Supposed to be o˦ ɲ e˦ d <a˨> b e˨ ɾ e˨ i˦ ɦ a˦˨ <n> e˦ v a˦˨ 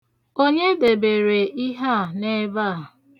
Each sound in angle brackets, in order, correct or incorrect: incorrect: e˨, correct

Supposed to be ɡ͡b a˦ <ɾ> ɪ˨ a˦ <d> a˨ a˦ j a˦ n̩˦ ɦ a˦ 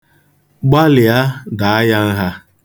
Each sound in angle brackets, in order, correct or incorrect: incorrect: l, correct

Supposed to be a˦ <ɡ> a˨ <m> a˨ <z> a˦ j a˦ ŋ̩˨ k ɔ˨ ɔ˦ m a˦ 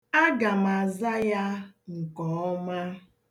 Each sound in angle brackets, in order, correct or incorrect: correct, correct, correct

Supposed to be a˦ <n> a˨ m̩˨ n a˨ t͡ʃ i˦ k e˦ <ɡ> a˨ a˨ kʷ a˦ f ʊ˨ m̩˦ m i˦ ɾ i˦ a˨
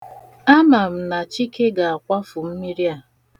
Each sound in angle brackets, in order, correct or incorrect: incorrect: m, correct

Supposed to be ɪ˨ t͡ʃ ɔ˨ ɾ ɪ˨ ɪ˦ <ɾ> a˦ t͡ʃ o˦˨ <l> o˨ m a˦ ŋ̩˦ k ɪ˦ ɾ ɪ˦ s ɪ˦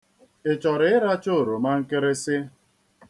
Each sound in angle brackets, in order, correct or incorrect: correct, incorrect: ɾ

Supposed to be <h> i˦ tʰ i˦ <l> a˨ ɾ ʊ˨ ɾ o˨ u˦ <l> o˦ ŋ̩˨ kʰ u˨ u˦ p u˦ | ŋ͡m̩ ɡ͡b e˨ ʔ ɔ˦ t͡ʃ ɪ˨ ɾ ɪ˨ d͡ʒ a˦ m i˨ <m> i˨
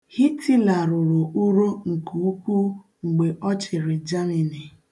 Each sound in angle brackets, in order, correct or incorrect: correct, correct, incorrect: ɾ, incorrect: n

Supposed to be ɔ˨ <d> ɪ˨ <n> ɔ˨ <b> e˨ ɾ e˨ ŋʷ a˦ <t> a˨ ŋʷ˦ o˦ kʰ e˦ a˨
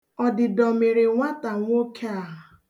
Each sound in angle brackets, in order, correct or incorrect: correct, incorrect: d, incorrect: m, correct

